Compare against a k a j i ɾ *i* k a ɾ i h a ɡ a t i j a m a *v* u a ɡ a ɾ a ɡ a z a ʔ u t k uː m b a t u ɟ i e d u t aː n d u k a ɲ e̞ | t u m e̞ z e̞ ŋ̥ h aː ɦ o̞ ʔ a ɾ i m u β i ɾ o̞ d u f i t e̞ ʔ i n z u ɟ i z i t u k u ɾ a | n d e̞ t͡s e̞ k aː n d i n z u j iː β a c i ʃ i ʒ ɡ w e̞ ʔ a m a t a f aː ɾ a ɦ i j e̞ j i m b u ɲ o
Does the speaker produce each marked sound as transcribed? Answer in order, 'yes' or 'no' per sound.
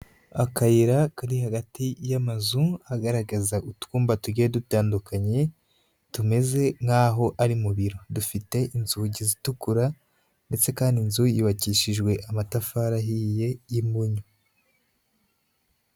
no, no

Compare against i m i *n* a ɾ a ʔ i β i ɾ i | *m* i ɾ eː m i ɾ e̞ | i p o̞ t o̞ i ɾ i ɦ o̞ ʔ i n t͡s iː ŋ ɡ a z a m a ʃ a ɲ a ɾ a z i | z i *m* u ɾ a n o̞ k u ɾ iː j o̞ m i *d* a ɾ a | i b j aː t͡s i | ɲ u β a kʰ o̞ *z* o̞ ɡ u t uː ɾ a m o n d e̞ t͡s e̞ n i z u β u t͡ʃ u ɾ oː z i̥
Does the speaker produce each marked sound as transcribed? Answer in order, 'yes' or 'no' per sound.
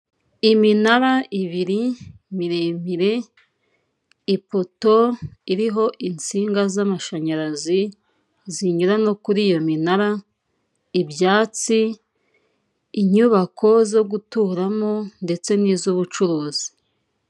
yes, yes, no, no, yes

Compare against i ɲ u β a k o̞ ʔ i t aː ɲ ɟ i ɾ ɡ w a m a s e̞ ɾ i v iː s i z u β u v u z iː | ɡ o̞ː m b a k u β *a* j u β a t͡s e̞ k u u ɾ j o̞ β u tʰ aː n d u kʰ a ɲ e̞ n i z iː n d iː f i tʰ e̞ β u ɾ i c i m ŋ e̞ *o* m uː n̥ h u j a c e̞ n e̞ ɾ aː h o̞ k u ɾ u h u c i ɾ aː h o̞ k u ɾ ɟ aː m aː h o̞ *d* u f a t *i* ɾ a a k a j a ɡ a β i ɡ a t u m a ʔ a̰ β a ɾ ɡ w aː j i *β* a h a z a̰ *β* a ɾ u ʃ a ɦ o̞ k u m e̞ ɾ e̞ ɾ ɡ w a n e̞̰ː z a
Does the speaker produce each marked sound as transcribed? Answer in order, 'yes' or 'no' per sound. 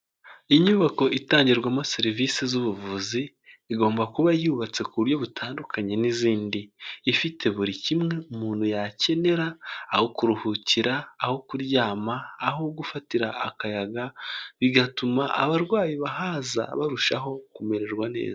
yes, no, no, yes, yes, yes

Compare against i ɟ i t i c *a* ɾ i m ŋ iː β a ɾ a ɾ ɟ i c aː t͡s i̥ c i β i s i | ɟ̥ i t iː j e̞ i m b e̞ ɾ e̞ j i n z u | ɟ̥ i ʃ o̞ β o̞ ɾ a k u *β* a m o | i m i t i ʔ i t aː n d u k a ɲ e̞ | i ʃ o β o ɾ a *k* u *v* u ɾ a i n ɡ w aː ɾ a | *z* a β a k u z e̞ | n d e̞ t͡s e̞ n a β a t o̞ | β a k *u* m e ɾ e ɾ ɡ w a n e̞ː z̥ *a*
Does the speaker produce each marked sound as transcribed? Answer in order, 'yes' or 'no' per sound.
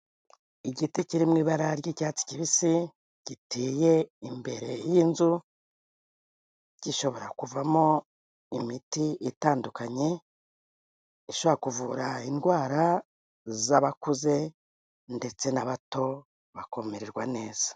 no, no, yes, yes, yes, no, yes

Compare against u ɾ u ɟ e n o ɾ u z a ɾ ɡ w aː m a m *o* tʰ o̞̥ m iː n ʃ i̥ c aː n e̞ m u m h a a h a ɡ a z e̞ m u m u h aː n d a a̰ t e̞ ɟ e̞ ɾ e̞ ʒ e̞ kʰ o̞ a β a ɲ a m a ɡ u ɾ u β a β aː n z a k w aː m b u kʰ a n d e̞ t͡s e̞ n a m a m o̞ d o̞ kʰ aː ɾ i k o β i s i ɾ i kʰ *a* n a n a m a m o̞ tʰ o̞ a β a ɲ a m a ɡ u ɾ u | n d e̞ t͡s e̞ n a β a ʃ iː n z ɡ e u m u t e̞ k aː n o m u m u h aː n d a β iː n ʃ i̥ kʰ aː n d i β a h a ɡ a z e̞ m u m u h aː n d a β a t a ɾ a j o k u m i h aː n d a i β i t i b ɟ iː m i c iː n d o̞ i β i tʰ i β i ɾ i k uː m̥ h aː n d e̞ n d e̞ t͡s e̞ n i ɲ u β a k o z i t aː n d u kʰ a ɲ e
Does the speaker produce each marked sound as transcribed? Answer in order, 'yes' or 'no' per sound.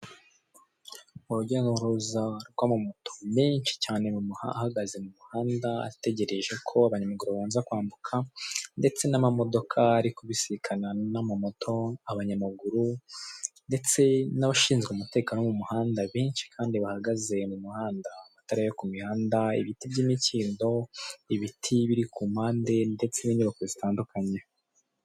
yes, yes

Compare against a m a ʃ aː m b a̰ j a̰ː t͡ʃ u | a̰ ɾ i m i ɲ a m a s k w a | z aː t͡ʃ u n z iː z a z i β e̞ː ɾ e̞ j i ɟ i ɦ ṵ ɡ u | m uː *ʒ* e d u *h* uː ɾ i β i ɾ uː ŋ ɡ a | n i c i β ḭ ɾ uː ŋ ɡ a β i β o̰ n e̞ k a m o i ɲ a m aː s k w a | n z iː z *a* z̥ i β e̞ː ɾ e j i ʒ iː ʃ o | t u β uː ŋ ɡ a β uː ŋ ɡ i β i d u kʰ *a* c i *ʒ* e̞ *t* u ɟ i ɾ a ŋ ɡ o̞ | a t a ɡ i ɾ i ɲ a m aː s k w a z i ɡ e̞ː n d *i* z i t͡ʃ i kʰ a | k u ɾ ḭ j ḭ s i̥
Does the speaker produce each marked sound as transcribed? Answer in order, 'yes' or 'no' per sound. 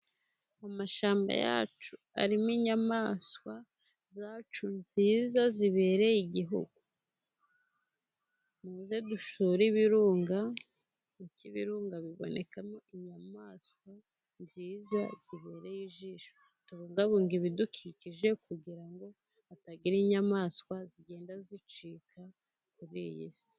no, no, yes, no, yes, no, no

